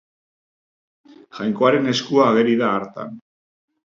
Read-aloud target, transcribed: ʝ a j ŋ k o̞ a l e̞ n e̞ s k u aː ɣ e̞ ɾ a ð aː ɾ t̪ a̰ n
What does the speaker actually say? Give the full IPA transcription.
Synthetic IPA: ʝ a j ŋ k o̞ a ɾ e̞ n e̞ s k u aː ɣ e̞ ɾ i ð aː ɾ t̪ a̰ n